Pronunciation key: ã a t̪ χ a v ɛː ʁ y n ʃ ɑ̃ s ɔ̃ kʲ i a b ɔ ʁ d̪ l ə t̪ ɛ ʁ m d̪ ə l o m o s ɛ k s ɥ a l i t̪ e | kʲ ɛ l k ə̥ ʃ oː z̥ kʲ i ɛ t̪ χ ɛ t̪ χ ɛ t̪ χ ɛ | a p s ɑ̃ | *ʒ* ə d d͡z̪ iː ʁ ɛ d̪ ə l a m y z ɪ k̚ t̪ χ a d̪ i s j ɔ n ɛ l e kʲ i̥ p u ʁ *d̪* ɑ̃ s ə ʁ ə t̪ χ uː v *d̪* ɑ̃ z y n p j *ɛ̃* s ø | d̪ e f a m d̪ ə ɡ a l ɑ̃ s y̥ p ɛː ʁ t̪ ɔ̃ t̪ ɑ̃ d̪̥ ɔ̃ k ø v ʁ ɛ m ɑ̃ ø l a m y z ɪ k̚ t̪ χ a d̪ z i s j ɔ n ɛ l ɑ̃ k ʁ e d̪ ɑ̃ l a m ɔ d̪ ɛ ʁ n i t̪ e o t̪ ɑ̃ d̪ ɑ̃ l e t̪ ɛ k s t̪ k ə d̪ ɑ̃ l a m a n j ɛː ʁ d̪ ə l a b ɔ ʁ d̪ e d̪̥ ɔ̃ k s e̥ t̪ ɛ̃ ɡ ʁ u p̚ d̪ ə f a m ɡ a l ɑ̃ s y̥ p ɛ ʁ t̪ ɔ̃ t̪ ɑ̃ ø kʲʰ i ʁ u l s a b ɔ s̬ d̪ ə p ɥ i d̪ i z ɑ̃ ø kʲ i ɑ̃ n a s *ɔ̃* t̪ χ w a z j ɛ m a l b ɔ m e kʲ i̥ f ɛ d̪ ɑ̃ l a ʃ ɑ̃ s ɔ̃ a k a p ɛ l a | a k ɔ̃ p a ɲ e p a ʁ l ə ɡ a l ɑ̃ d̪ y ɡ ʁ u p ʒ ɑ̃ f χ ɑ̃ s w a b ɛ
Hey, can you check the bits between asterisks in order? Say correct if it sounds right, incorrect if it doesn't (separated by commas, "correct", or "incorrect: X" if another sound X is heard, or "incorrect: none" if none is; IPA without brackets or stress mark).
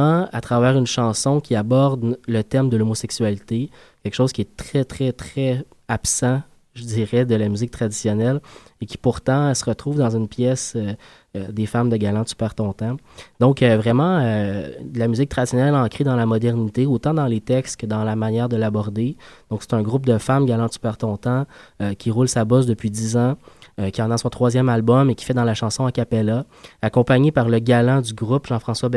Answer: correct, incorrect: t̪, correct, incorrect: ɛ, correct